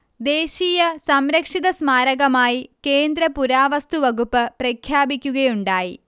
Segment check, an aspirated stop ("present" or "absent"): present